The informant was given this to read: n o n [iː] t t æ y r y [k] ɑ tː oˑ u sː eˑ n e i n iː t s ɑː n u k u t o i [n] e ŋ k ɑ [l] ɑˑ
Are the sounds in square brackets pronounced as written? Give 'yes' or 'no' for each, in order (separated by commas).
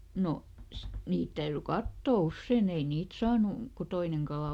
yes, yes, yes, yes